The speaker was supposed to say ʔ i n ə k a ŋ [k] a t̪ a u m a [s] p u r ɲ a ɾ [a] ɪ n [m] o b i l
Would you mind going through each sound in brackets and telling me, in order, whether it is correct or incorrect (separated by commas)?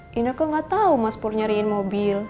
incorrect, correct, incorrect, correct